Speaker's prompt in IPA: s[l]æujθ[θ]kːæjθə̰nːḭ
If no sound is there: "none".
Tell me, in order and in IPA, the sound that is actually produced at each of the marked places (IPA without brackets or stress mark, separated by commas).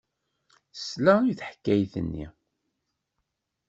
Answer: l, ħ